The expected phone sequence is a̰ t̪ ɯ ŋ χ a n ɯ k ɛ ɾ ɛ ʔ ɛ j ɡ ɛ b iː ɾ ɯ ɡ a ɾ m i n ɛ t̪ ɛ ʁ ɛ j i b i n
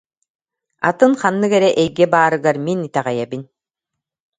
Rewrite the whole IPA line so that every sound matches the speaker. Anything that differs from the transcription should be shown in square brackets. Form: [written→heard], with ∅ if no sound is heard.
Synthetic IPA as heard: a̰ t̪ ɯ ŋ χ a [n→nː] ɯ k ɛ ɾ ɛ ʔ ɛ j ɡ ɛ b [iː→aː] ɾ ɯ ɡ a ɾ m i n [ɛ→i] t̪ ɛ ʁ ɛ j [i→ɛ] b i n